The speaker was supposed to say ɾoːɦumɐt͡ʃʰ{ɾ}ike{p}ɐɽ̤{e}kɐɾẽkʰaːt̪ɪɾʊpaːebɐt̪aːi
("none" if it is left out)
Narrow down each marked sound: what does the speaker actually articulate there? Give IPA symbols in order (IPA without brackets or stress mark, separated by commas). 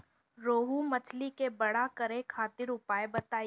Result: l, b, a